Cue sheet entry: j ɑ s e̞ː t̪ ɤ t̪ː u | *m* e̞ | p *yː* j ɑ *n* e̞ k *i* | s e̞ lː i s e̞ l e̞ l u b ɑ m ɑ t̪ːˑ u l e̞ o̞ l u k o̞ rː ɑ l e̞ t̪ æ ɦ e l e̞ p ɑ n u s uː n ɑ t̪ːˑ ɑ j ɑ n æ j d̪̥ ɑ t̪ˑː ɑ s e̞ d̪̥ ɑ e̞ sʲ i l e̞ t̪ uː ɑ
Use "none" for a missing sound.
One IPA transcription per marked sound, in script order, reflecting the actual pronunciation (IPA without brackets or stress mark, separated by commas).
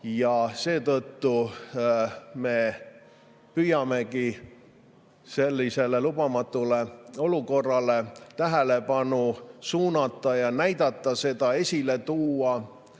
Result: m, y, m, i